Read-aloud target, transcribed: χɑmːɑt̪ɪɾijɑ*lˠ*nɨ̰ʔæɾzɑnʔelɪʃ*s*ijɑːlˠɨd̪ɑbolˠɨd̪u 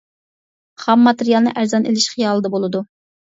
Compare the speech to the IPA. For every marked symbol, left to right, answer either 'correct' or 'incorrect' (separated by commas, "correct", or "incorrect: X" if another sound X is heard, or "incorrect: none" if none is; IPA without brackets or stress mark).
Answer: correct, incorrect: χ